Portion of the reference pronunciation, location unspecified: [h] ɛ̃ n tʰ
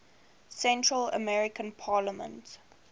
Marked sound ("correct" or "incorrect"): incorrect